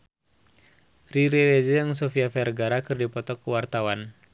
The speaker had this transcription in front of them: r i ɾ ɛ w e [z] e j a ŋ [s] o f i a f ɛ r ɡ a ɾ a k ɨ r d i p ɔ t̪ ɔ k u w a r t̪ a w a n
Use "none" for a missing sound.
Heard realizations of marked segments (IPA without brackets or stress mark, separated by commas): z, s